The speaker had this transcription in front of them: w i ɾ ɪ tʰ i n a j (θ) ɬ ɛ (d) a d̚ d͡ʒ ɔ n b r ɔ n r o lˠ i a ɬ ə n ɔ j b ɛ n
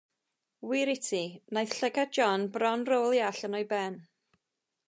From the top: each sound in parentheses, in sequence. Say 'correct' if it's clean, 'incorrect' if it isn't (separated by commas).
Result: correct, incorrect